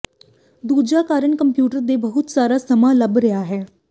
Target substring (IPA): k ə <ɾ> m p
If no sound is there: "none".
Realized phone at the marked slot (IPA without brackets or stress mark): none